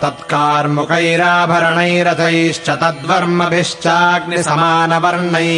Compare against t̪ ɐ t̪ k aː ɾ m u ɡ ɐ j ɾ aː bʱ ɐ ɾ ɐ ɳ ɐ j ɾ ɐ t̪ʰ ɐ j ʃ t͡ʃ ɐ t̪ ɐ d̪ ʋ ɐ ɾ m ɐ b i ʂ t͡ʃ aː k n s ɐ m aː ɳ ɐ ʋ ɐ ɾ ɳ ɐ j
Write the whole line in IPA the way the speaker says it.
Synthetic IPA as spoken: t̪ ɐ t̪ k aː ɾ m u k ɐ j ɾ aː bʱ ɐ ɾ ɐ ɳ ɐ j ɾ ɐ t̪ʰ ɐ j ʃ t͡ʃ ɐ t̪ ɐ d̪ ʋ ɐ ɾ m ɐ b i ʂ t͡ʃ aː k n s ɐ m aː n ɐ ʋ ɐ ɾ ɳ ɐ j